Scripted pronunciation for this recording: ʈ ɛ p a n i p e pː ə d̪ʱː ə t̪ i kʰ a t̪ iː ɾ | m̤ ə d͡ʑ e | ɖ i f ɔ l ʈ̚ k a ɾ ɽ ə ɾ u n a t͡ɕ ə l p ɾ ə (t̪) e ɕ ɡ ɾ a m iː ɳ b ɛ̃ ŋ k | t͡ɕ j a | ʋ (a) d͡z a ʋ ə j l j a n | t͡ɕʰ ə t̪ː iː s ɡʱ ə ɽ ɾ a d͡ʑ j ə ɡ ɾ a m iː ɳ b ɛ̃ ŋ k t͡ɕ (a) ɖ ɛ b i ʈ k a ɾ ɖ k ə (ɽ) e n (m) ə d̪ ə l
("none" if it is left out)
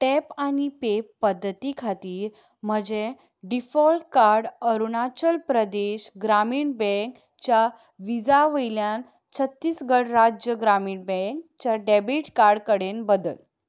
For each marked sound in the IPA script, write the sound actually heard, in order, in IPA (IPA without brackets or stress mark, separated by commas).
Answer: d̪, i, a, ɽ, b